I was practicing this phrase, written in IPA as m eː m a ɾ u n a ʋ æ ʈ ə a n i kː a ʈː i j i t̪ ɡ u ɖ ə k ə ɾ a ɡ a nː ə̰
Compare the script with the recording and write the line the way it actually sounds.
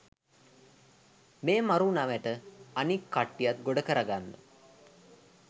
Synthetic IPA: m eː m a ɾ u n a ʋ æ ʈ ə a n i kː a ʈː i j a t̪ ɡ o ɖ ə k ə ɾ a ɡ a nː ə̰